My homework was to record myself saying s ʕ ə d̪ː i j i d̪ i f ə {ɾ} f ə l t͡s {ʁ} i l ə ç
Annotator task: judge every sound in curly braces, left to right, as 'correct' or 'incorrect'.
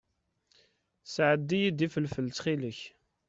incorrect, incorrect

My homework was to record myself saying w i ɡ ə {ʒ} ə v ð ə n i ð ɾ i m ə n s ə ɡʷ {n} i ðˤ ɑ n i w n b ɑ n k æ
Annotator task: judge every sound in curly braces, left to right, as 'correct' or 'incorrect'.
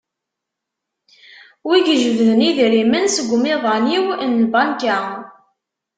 correct, incorrect

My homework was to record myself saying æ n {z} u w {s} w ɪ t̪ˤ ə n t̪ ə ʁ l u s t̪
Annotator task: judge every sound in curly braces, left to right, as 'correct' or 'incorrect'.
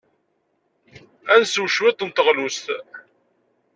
incorrect, incorrect

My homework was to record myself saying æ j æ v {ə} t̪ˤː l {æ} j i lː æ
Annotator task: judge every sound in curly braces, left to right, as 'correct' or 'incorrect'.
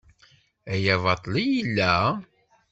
incorrect, incorrect

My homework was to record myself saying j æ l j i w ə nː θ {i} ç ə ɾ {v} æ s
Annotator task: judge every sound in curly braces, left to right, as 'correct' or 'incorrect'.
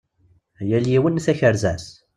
incorrect, incorrect

